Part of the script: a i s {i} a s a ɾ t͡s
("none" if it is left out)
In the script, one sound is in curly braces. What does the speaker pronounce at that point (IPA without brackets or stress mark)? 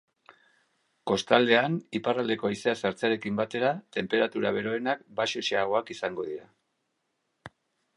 e